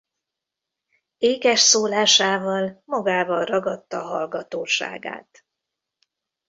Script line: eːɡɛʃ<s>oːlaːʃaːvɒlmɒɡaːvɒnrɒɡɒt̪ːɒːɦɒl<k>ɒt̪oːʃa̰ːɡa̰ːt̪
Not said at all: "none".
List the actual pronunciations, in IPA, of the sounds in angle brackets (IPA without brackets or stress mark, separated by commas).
s, ɡ